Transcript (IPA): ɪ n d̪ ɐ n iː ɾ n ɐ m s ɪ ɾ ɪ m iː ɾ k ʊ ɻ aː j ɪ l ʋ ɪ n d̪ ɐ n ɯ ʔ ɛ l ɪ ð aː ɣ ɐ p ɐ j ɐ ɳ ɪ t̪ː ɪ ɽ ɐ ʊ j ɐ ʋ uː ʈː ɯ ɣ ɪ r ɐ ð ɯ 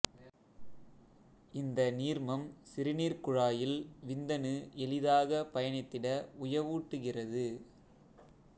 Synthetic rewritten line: ɪ n d̪ ɐ n iː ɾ m ɐ m s ɪ ɾ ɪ n iː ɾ k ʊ ɻ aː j ɪ l ʋ ɪ n d̪ ɐ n ɯ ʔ ɛ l ɪ ð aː ɣ ɐ p ɐ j ɐ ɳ ɪ t̪ː ɪ ɽ ɐ ʊ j ɐ ʋ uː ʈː ɯ ɣ ɪ r ɐ ð ɯ